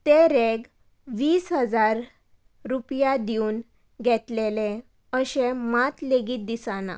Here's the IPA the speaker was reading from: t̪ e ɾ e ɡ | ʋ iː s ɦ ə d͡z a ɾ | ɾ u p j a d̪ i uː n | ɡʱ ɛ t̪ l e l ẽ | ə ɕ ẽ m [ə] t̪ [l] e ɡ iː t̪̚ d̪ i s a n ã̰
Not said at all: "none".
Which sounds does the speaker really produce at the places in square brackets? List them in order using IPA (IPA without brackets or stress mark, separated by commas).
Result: a, l